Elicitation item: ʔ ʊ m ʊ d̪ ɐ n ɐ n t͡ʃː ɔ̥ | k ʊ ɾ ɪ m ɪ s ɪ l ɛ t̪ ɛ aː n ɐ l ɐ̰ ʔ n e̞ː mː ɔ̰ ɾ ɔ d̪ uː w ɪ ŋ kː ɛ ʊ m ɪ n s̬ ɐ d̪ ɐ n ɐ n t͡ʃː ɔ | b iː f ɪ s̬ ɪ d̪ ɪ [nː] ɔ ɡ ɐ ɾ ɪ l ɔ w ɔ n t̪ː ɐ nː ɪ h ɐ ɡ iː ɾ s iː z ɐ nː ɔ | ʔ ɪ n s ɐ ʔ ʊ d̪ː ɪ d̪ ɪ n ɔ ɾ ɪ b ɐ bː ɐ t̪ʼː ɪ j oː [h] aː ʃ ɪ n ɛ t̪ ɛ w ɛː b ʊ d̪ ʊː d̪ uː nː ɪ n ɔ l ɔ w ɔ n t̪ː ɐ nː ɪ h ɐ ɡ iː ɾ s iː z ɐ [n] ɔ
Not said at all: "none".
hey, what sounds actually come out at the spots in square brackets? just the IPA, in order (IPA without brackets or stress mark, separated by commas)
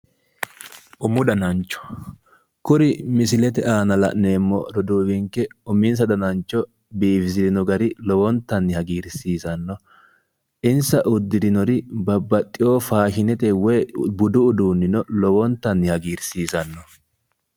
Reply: n, f, nː